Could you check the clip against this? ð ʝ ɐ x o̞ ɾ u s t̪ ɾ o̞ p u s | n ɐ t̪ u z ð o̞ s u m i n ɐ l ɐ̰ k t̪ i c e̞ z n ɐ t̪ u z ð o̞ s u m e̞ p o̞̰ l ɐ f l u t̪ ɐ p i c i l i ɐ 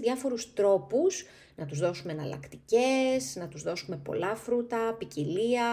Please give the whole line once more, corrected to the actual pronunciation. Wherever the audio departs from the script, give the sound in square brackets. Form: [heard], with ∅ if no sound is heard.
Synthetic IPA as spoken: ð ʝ ɐ [f] o̞ ɾ u s t̪ ɾ o̞ p u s | n ɐ t̪ u z ð o̞ s u m [e] n ɐ l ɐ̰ k t̪ i c e̞ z n ɐ t̪ u z ð o̞ s u m e̞ p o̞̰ l ɐ f [ɾ] u t̪ ɐ p i c i l i ɐ